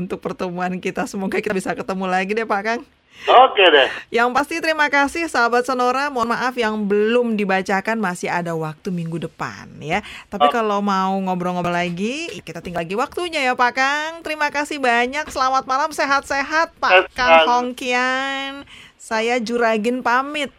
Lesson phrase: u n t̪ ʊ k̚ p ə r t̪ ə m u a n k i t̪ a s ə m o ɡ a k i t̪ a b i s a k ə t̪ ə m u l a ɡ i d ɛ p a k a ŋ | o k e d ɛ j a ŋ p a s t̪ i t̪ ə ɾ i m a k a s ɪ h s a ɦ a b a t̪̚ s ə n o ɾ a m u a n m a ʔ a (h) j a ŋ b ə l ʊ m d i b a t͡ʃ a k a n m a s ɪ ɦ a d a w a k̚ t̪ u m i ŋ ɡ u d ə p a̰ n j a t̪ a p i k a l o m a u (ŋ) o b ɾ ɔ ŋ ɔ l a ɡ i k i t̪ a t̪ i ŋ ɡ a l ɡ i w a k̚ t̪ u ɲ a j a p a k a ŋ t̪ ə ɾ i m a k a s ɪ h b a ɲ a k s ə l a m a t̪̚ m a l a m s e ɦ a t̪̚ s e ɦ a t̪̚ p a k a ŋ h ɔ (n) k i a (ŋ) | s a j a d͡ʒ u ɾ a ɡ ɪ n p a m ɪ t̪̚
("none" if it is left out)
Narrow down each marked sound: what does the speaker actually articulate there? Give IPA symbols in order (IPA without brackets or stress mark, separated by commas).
f, ŋ, ŋ, n